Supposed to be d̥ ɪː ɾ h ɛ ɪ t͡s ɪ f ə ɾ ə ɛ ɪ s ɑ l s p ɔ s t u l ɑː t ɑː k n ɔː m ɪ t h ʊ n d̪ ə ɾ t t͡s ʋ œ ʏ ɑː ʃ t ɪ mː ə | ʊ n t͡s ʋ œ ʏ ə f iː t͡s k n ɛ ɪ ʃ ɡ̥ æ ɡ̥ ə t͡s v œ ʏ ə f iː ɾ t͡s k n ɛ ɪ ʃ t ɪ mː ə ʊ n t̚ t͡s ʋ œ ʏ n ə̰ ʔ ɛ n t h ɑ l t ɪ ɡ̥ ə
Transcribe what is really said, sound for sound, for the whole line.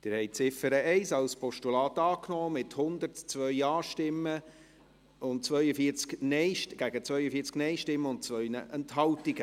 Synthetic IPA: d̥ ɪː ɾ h ɛ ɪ t͡s ɪ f ə ɾ ə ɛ ɪ s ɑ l s p ɔ ʃ t u l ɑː t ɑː k n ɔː m ɪ t h ʊ n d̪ ə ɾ t t͡s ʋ œ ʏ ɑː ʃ t ɪ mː ə | ʊ n t͡s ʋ œ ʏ ə f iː t͡s k n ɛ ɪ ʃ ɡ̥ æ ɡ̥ ə t͡s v œ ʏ ə f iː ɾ t͡s k n ɛ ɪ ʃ t ɪ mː ə ʊ n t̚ t͡s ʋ œ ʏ n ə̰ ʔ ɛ n t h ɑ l t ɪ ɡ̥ ə